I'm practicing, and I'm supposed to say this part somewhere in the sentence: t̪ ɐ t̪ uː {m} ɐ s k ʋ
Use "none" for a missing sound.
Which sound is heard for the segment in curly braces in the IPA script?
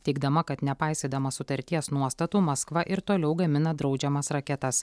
m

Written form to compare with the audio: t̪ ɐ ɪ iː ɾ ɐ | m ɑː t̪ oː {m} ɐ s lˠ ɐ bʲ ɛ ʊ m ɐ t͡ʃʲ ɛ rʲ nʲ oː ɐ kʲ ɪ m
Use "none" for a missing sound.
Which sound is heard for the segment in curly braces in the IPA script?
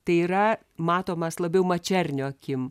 m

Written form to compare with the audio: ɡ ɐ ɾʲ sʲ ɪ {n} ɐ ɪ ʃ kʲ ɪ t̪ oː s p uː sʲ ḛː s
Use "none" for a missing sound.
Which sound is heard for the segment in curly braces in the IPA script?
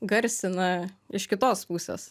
n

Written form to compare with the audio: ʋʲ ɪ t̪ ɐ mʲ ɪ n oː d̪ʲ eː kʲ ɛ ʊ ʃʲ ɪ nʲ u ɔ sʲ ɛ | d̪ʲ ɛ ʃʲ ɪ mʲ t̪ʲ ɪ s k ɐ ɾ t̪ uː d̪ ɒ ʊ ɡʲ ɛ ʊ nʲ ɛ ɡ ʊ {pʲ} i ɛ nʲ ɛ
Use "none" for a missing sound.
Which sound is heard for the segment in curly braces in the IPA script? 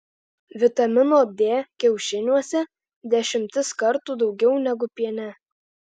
pʲ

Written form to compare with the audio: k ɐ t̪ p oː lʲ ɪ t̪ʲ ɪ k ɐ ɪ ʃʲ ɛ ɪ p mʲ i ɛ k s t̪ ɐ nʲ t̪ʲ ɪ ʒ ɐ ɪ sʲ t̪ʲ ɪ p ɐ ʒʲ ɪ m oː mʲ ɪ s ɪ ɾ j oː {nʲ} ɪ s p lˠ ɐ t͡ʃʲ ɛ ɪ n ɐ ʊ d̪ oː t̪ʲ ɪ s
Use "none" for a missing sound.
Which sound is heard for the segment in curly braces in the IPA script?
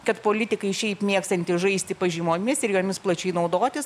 mʲ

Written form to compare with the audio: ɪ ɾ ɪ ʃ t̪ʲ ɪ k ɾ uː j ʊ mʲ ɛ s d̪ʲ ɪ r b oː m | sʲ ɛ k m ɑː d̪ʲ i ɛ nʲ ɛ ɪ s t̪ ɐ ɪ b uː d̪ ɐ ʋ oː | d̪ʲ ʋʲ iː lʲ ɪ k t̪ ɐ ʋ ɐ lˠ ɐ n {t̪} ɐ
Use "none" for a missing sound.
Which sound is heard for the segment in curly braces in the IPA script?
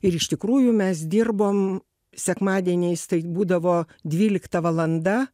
d̪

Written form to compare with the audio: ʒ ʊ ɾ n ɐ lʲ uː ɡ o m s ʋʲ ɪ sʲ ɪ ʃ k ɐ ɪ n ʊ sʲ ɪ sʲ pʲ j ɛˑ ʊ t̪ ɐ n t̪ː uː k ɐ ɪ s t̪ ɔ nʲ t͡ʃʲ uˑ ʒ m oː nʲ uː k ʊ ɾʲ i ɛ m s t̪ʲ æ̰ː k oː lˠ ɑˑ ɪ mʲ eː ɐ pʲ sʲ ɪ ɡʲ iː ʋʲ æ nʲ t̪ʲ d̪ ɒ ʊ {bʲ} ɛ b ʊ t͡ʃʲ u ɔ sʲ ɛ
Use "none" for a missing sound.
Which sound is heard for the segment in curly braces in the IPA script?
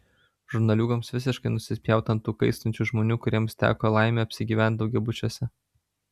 ɡʲ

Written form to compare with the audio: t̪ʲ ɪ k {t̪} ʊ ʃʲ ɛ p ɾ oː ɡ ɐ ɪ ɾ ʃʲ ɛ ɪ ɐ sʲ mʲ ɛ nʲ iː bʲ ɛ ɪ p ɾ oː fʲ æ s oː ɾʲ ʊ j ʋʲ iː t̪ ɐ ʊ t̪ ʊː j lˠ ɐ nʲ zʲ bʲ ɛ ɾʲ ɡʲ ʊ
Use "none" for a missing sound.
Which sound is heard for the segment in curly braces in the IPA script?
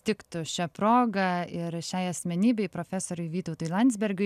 t̪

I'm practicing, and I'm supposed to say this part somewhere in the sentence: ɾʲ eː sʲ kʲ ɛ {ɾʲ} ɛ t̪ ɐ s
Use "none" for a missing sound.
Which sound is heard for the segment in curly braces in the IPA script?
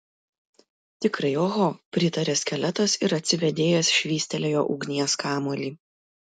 lʲ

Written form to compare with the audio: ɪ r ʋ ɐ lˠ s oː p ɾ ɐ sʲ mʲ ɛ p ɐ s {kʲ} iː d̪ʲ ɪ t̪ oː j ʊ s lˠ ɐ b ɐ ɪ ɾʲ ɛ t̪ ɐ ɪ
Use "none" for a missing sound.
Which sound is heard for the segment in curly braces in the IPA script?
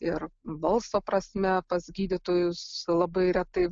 ɡʲ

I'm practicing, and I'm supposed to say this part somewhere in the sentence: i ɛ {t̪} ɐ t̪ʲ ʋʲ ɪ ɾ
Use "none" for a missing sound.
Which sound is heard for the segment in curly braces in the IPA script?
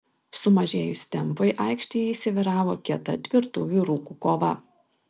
t̪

